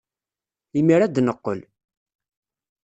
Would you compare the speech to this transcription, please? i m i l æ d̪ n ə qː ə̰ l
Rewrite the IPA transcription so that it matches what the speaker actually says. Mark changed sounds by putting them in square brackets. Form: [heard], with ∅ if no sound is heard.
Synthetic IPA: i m i [ɾ] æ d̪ n ə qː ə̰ l